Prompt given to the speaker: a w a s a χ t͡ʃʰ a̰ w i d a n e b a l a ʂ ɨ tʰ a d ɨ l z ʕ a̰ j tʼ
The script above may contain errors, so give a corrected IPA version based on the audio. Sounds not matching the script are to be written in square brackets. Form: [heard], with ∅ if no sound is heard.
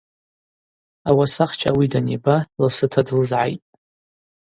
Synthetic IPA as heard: a w a s a χ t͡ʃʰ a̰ w i d a n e b a l a [s] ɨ tʰ a d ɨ l z ʕ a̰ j tʼ